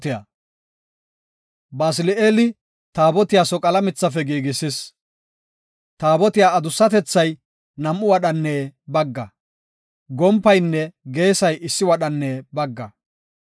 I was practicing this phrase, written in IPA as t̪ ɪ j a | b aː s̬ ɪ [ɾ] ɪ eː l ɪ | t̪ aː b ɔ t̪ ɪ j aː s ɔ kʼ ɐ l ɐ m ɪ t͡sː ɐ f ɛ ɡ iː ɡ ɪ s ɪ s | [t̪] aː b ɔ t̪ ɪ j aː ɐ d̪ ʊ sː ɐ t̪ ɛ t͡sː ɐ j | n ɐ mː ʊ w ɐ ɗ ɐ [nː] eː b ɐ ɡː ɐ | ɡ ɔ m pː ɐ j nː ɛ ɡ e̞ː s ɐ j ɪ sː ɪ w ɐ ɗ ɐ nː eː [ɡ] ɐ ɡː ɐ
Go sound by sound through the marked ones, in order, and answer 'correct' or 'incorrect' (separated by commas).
incorrect, correct, correct, incorrect